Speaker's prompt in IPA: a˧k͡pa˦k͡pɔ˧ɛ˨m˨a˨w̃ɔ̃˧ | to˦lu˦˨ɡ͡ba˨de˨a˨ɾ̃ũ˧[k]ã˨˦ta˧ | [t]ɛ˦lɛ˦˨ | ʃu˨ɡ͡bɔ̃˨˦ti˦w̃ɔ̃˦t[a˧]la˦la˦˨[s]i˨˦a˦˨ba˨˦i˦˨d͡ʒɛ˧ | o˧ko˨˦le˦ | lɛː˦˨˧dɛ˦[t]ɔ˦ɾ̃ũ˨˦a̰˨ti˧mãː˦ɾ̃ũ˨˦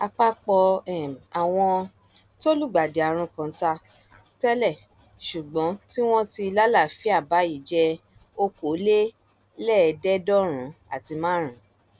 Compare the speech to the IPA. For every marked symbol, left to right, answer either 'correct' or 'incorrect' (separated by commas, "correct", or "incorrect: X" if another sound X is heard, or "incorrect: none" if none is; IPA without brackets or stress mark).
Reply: correct, correct, incorrect: i˧, incorrect: f, incorrect: d